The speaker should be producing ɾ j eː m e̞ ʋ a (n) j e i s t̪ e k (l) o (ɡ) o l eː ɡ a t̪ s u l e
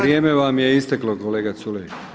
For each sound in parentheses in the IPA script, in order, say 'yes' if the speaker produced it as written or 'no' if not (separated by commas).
no, yes, no